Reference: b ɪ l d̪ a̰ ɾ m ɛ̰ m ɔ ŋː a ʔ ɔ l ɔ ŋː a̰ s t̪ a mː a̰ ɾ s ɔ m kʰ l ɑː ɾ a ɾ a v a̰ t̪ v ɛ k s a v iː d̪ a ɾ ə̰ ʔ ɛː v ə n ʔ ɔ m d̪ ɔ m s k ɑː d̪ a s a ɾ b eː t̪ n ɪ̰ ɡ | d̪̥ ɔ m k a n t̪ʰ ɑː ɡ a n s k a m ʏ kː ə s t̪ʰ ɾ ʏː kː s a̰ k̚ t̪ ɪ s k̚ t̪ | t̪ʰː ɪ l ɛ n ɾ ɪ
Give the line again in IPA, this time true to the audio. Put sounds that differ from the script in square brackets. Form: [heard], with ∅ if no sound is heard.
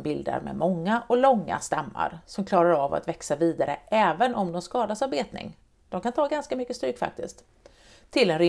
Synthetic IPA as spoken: b ɪ l d̪ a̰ ɾ m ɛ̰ m ɔ ŋː a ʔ ɔ l ɔ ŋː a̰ s t̪ a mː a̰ ɾ s ɔ m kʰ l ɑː ɾ a ɾ a v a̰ t̪ v ɛ k s a v iː d̪ a ɾ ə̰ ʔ ɛː v ə n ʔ ɔ m d̪ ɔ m s k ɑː d̪ a s a ɾ b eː t̪ n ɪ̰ [ŋ] | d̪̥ ɔ m k a n t̪ʰ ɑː ɡ a n s k a m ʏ kː ə s [t̪] ɾ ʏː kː [f] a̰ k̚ t̪ ɪ s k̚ t̪ | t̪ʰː ɪ l ɛ n ɾ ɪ